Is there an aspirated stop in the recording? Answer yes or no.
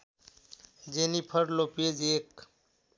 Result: yes